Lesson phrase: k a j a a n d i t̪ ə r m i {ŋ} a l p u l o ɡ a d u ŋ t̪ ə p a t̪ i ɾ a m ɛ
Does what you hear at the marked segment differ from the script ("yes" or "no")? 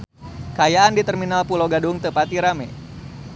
yes